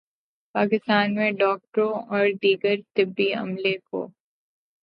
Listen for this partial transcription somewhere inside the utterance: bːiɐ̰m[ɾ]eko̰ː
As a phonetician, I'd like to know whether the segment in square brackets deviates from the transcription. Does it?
yes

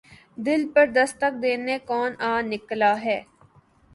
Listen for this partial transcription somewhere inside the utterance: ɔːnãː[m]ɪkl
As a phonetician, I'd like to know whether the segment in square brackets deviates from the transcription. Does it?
yes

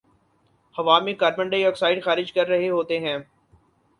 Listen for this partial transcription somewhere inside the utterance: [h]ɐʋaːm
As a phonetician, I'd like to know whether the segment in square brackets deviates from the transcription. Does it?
no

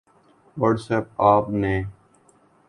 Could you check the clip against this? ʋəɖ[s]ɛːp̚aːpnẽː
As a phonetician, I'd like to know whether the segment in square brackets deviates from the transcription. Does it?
no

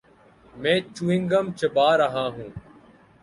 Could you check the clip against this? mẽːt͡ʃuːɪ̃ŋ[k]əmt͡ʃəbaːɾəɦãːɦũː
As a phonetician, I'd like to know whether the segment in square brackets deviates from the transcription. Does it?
yes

